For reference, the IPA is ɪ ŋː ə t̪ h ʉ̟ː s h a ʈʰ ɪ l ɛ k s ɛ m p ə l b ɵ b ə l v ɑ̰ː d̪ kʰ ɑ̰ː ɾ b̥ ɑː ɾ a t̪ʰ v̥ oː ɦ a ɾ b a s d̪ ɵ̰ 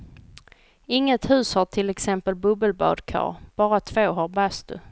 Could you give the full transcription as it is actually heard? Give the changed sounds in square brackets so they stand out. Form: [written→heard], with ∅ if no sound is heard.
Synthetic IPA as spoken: ɪ ŋː ə t̪ h ʉ̟ː s h a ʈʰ ɪ l ɛ k s ɛ m p ə l b ɵ b ə l [v→b] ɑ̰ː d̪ kʰ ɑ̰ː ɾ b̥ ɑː ɾ a t̪ʰ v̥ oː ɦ a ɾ b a s [d̪→t̪] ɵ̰